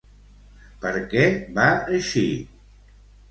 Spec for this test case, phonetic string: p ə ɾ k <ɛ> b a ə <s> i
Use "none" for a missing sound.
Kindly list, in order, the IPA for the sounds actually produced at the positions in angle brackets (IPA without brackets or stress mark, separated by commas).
ɛ, ʃ